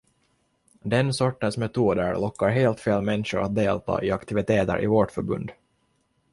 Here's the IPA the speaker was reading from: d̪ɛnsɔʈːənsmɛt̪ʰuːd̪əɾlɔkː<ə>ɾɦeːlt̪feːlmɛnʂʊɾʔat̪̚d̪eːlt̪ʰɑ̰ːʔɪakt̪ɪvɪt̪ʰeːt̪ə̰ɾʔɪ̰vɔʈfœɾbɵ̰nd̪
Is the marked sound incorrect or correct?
incorrect